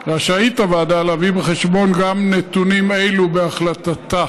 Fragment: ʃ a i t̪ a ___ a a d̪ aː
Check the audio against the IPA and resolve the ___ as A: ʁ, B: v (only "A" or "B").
B